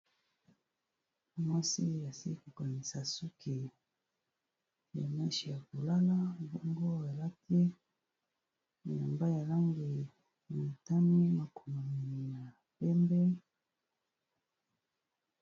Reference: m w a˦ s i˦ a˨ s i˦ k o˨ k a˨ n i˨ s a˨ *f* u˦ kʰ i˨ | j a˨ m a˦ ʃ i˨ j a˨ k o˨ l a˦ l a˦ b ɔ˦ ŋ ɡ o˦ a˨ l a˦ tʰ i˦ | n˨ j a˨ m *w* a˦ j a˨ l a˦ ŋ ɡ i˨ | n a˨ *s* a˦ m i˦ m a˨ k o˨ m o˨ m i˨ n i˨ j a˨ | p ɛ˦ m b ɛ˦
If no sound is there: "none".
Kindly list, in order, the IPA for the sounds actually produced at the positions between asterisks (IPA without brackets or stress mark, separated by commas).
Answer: s, b, t